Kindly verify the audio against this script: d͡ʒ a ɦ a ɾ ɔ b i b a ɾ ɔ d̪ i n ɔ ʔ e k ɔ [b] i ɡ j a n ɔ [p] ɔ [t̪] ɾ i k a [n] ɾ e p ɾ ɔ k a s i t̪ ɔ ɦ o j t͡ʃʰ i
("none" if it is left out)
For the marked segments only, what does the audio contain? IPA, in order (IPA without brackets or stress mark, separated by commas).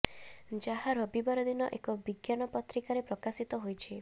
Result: b, p, t̪, none